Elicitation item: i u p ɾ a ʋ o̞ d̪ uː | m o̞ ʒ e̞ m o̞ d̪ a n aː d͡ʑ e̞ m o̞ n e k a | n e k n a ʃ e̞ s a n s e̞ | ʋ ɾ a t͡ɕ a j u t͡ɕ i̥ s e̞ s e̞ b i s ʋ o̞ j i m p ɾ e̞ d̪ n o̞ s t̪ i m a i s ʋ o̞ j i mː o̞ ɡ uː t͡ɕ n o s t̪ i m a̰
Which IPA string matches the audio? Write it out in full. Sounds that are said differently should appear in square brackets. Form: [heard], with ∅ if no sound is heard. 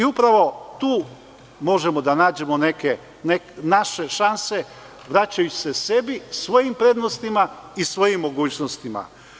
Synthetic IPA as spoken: i u p ɾ a ʋ o̞ [t̪] uː | m o̞ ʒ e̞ m o̞ d̪ a n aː d͡ʑ e̞ m o̞ n e k [e] | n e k n a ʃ e̞ [ʃ] a n s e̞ | ʋ ɾ a t͡ɕ a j u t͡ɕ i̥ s e̞ s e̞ b i s ʋ o̞ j i m p ɾ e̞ d̪ n o̞ s t̪ i m a i s ʋ o̞ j i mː o̞ ɡ uː t͡ɕ n o s t̪ i m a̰

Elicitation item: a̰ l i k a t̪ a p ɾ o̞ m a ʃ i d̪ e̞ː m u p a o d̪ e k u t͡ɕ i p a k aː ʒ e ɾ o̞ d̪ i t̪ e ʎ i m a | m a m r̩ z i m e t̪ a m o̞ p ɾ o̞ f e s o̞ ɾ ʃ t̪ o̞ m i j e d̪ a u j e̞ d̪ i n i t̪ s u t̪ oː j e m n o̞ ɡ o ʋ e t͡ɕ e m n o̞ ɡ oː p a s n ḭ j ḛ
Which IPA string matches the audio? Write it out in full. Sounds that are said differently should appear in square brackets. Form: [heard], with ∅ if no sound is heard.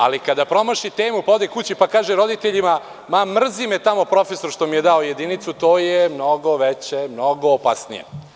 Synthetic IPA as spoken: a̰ l i k a [d̪] a p ɾ o̞ m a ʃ i [t̪] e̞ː m u p a o d̪ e k u t͡ɕ i p a k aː ʒ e ɾ o̞ d̪ i t̪ e ʎ i m a | m a m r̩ z i m e t̪ a m o̞ p ɾ o̞ f e s o̞ ɾ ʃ t̪ o̞ m i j e d̪ a [o] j e̞ d̪ i n i t̪ s u t̪ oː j e m n o̞ ɡ o ʋ e t͡ɕ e m n o̞ ɡ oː p a s n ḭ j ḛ

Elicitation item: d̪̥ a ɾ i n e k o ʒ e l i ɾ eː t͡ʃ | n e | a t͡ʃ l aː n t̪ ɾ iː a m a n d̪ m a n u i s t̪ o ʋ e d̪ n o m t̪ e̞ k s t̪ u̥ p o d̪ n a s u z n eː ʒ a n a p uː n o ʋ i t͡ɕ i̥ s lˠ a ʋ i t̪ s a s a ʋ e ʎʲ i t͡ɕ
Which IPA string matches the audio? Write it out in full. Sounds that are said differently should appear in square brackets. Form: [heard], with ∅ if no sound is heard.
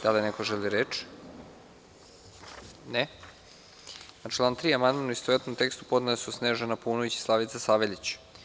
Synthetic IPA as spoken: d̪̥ a [l] i n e k o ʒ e l i ɾ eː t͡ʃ | n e | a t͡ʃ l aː n t̪ ɾ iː a m a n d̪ m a n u i s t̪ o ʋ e [t̪] n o m t̪ e̞ k s t̪ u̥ p o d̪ n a s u [s] n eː ʒ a n a p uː n o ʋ i t͡ɕ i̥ s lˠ a ʋ i t̪ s a s a ʋ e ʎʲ i t͡ɕ

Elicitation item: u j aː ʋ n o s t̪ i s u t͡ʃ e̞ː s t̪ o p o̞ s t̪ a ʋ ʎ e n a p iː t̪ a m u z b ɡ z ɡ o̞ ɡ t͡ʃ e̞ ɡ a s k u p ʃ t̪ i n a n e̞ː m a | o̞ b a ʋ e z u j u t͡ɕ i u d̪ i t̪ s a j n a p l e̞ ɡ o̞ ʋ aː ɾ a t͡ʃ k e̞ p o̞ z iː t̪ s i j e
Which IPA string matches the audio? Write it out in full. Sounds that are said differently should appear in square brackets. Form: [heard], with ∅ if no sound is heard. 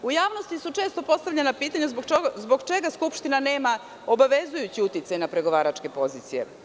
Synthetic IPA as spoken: u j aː ʋ n o s t̪ i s u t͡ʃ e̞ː s t̪ o p o̞ s t̪ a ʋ ʎ e n a p iː t̪ a [ɲ] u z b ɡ z [b] o̞ ɡ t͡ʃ e̞ ɡ a s k u p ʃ t̪ i n a n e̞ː m a | o̞ b a ʋ e z u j u t͡ɕ i u [t̪] i t̪ s a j n a p [ɾ] e̞ ɡ o̞ ʋ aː ɾ a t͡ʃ k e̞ p o̞ z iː t̪ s i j e

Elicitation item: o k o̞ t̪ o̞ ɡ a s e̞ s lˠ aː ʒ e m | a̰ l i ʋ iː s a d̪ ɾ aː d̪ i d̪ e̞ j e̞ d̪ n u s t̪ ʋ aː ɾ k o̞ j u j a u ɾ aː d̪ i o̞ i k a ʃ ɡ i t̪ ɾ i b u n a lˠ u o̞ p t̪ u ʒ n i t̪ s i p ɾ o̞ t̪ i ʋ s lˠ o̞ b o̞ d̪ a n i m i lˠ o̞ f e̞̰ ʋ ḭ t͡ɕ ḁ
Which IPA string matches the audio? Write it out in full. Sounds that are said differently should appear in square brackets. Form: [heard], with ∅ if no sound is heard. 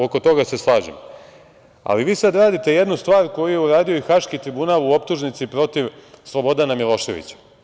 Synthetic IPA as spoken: o k o̞ t̪ o̞ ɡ a s e̞ s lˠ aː ʒ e m | a̰ l i ʋ iː s a d̪ ɾ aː d̪ i [t̪] e̞ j e̞ d̪ n u s t̪ ʋ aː ɾ k o̞ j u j [e] u ɾ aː d̪ i o̞ i [x] a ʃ [k] i t̪ ɾ i b u n a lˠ u o̞ p t̪ u ʒ n i t̪ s i p ɾ o̞ t̪ i ʋ s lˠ o̞ b o̞ d̪ a n [a] m i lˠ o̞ [ʃ] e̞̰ ʋ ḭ t͡ɕ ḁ

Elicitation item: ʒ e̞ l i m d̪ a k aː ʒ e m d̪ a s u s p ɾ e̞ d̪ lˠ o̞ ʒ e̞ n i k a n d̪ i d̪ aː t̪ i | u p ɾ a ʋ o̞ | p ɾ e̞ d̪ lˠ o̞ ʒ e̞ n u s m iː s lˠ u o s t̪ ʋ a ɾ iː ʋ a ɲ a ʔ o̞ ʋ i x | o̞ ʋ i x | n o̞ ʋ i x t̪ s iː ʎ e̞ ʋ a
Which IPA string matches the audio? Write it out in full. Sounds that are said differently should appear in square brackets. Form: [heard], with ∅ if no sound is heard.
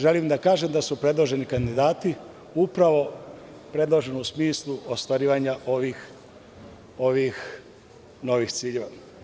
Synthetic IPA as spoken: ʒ e̞ l i m d̪ a k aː ʒ e m d̪ a s u [∅] p ɾ e̞ d̪ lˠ o̞ ʒ e̞ n i k a n d̪ i d̪ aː t̪ i | u p ɾ a ʋ o̞ | p ɾ e̞ d̪ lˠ o̞ ʒ e̞ n u s m iː s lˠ u o s t̪ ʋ a ɾ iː ʋ a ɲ a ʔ o̞ ʋ i x | o̞ ʋ i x | n o̞ ʋ i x t̪ s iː ʎ e̞ ʋ a

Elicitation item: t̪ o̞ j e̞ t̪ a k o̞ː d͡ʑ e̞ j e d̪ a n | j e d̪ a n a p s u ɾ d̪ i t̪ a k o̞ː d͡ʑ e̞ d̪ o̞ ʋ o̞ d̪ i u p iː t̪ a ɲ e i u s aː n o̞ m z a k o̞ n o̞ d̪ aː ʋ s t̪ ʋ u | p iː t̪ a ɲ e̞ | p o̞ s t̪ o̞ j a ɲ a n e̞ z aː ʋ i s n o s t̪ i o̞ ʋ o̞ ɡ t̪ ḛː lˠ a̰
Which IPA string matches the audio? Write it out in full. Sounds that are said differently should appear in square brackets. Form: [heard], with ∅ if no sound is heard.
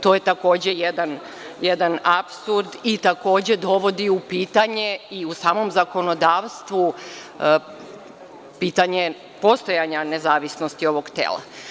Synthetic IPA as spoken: t̪ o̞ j e̞ t̪ a k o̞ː d͡ʑ e̞ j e d̪ a n | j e d̪ a n a p s u ɾ d̪ i t̪ a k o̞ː d͡ʑ e̞ d̪ o̞ ʋ o̞ d̪ i u p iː t̪ a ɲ e i u s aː [m] o̞ m z a k o̞ n o̞ d̪ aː ʋ s t̪ ʋ u | p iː t̪ a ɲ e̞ | p o̞ s t̪ o̞ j a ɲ a n e̞ z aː ʋ i s n o s t̪ i o̞ ʋ o̞ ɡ t̪ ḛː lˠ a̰

